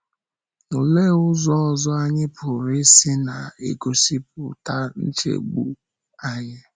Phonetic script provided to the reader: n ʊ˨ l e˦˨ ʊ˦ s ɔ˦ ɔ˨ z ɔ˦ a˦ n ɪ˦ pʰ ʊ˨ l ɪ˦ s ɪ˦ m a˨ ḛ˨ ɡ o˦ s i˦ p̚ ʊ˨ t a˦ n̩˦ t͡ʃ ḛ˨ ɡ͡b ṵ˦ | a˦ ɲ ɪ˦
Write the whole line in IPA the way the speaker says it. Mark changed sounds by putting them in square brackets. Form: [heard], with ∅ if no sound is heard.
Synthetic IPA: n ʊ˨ l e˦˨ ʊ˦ [z] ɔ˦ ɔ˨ z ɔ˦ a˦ [ɲ] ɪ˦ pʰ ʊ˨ [ɾ] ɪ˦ s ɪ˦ [n] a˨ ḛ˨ ɡ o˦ s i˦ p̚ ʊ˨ t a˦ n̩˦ t͡ʃ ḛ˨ ɡ͡b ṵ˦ | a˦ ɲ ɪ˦